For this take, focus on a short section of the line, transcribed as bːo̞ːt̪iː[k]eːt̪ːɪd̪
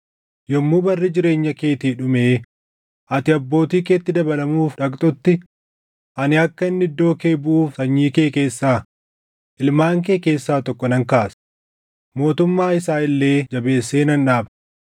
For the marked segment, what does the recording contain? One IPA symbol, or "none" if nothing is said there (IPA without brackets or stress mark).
k